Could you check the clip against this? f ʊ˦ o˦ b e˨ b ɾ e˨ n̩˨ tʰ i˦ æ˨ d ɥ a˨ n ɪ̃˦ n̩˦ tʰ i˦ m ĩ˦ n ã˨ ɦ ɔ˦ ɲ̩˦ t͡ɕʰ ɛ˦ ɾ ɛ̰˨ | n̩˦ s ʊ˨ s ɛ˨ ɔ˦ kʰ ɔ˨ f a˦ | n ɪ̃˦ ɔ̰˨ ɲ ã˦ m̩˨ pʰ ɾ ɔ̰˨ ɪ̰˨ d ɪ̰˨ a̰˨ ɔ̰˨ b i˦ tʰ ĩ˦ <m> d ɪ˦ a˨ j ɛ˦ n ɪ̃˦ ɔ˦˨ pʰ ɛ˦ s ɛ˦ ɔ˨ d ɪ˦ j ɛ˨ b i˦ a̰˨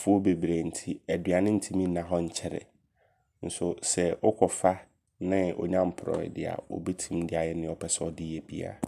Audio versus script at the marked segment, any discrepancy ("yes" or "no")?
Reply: no